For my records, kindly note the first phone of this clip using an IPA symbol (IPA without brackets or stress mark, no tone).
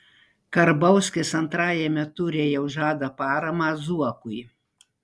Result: k